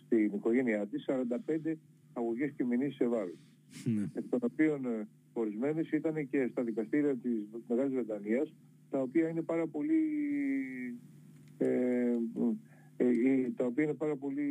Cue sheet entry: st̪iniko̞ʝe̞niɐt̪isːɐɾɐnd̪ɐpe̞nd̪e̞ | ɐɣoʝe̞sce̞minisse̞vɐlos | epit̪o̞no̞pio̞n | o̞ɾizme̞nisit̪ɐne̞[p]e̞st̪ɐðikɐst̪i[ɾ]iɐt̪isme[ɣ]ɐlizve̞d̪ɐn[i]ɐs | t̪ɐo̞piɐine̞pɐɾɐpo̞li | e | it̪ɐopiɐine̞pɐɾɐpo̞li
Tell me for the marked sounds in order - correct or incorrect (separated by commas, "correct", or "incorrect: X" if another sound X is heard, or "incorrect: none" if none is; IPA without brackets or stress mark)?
incorrect: c, correct, correct, correct